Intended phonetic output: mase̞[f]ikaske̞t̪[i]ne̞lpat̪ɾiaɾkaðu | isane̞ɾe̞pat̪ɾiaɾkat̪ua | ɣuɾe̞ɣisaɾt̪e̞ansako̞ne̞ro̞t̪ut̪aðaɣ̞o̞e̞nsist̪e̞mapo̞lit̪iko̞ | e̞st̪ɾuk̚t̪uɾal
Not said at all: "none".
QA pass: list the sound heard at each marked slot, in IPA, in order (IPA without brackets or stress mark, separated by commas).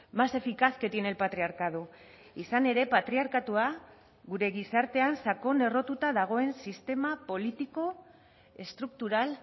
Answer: f, i